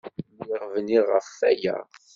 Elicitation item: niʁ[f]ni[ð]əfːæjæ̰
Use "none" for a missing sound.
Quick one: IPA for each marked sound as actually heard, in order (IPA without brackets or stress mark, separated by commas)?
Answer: v, ʁ